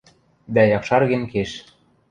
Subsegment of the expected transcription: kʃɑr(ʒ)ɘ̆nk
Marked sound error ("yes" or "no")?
yes